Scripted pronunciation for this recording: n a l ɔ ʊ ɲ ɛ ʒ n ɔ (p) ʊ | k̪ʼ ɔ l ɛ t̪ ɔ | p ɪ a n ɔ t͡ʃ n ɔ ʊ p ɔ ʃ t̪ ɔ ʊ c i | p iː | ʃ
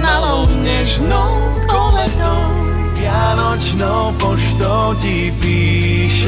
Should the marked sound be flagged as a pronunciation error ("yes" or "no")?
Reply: yes